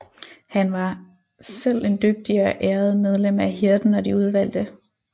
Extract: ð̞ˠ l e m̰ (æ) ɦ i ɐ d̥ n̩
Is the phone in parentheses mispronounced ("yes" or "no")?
no